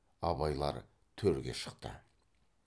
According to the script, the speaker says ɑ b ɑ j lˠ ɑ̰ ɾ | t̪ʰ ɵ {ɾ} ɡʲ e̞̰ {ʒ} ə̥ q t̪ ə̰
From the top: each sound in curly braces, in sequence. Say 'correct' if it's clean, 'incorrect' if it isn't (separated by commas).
correct, incorrect